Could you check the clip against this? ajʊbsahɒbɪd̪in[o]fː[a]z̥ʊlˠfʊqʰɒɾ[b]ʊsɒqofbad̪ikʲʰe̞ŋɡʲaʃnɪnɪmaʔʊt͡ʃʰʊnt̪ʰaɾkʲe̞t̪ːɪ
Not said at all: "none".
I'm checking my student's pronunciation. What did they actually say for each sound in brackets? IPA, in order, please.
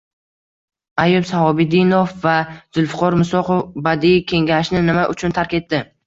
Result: o, a, m

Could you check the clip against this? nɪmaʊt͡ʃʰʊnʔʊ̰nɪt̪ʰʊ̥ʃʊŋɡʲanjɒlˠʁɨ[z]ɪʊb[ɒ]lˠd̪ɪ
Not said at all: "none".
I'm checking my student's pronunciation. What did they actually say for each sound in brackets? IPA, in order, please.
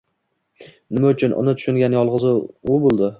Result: z, o

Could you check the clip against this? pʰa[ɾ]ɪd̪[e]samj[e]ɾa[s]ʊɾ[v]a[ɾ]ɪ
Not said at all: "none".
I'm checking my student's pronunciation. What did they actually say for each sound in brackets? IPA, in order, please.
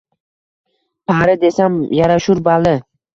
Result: ɾ, e, a, ʃ, b, l

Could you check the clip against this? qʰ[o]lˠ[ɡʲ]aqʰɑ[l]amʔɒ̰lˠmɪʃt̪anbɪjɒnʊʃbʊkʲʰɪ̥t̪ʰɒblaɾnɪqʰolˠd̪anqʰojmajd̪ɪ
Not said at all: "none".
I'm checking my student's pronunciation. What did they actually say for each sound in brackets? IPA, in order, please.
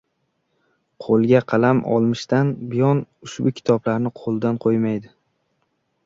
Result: o, ɡʲ, l

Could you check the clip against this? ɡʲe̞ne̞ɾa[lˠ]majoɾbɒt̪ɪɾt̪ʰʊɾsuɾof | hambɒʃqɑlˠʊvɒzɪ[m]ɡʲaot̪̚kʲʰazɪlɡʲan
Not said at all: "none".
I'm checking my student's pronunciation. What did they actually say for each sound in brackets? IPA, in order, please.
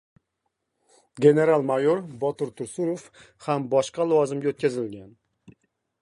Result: lˠ, m

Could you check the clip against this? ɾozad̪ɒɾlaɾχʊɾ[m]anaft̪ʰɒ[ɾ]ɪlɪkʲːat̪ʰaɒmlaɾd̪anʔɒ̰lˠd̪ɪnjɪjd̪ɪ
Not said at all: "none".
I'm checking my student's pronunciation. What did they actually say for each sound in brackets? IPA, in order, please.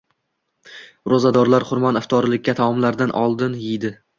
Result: m, ɾ

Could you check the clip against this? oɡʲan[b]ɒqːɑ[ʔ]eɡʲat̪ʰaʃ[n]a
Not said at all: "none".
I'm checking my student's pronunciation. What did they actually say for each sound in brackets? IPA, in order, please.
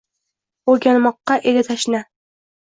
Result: m, ʔ, n

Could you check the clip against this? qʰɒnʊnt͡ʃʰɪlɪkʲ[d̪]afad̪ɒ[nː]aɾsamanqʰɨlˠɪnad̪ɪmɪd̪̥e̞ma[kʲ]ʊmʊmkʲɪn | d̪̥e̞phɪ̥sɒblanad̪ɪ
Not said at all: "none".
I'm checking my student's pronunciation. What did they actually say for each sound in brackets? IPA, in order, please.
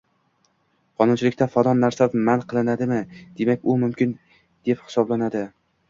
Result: t̪, nː, kʲ

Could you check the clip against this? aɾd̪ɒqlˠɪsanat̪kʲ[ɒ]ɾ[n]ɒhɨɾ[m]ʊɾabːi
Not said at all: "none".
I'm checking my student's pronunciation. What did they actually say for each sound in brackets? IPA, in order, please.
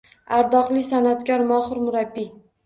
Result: ɒ, m, m

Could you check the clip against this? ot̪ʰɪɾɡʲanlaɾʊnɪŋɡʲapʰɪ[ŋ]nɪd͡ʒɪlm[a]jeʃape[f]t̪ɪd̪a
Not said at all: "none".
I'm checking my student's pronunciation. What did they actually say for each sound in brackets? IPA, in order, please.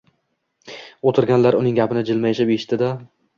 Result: none, a, ʃ

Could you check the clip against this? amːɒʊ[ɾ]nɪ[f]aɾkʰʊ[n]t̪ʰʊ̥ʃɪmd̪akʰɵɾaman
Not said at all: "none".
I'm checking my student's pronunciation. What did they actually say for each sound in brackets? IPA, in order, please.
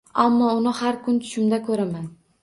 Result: none, h, n

